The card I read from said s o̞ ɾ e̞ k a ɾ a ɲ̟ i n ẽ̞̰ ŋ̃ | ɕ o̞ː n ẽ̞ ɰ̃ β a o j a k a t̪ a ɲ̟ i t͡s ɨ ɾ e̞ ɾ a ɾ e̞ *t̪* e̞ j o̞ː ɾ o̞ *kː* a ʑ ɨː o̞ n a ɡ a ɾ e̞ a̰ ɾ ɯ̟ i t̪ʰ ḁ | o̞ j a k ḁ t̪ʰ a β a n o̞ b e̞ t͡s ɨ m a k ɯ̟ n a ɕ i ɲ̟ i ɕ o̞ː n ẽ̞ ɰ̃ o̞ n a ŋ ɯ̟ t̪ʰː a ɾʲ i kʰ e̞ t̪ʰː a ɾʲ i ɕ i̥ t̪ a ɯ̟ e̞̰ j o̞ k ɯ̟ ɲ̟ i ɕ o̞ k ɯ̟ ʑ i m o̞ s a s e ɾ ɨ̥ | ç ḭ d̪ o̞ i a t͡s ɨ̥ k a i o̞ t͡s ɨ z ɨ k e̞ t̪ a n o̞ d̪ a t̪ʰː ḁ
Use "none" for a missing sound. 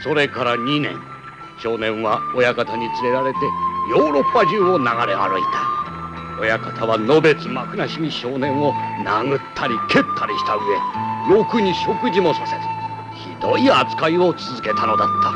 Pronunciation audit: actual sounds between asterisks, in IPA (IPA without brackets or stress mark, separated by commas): t̪, pː